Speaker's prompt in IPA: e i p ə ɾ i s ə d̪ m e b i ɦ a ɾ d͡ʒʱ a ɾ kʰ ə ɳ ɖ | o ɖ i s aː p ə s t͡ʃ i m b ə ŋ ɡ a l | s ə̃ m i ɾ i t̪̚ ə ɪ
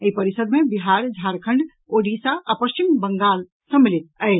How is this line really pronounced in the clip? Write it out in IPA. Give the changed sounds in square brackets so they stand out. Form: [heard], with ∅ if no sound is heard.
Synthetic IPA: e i p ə ɾ i s ə d̪ m e b i ɦ a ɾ d͡ʒʱ a ɾ kʰ ə ɳ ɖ | o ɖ i s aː p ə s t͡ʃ i m b ə ŋ ɡ a l | s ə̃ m i [l] i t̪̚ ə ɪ

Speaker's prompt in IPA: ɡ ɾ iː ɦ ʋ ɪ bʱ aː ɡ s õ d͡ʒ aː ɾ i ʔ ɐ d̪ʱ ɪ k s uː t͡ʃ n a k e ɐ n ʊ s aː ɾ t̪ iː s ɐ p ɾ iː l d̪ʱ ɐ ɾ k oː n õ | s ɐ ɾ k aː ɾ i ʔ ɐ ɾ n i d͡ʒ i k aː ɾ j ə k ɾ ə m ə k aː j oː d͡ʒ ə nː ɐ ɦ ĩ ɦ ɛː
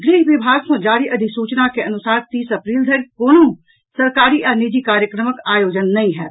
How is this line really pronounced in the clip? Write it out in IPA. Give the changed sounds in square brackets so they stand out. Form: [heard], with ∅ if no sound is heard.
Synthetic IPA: ɡ ɾ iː ɦ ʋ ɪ bʱ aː ɡ s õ d͡ʒ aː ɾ i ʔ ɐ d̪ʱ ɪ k s uː t͡ʃ n a k e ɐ n ʊ s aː ɾ t̪ iː s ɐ p ɾ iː l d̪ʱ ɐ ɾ k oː n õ | s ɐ ɾ k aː ɾ i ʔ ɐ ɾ n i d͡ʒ i k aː ɾ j ə k ɾ ə m ə k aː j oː d͡ʒ ə nː ɐ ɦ ĩ ɦ ɛː

